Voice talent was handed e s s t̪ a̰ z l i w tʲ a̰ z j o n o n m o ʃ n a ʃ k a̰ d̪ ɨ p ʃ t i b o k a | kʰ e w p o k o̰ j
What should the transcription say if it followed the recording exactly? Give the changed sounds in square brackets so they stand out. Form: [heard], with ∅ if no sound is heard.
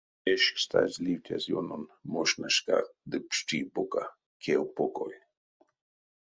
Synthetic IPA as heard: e [ʃ] s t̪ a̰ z l i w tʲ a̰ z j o n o n m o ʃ n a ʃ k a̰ d̪ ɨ p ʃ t i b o k a | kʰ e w p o k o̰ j